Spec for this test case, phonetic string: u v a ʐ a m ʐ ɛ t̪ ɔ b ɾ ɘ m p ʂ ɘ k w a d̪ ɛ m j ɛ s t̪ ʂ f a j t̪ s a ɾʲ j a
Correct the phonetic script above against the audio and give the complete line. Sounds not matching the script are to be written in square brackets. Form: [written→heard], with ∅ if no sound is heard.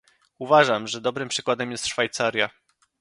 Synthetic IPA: u v a ʐ a m ʐ ɛ [t̪→d̪] ɔ b ɾ ɘ m p ʂ ɘ k w a d̪ ɛ m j ɛ s t̪ ʂ f a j t̪ s a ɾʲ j a